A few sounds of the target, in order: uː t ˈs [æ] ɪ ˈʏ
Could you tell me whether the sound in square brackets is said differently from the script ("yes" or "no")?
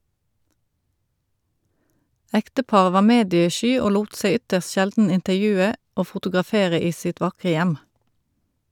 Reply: yes